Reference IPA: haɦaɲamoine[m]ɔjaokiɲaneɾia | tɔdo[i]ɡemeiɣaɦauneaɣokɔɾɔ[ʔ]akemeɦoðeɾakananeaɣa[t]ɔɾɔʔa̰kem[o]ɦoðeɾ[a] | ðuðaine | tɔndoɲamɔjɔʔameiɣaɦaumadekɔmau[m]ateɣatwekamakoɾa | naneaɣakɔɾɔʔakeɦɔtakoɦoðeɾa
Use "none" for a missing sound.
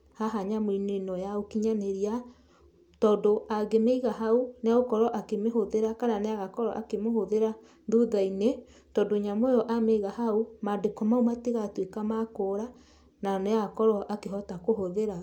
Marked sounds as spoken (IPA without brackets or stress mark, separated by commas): n, a, ʔ, k, o, a, m